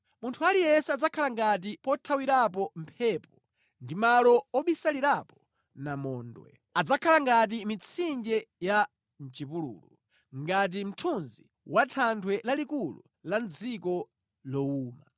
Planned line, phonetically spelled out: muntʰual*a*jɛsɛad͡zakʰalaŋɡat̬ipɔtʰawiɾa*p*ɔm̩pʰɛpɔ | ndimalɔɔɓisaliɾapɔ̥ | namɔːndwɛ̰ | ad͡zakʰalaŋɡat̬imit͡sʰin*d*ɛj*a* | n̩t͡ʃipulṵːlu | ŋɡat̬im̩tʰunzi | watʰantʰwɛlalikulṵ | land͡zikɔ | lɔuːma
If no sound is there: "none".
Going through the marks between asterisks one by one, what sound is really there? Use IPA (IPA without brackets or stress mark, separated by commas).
i, p, d͡ʒ, a